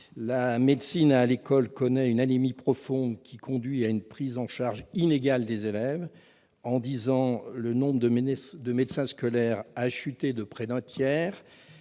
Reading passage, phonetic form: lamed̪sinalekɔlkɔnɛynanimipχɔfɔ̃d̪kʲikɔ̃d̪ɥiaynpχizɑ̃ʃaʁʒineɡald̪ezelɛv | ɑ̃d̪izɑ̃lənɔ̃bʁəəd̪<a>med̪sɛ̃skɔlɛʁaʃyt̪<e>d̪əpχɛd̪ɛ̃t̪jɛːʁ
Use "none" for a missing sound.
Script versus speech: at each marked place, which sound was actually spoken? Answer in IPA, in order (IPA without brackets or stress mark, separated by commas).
ə, e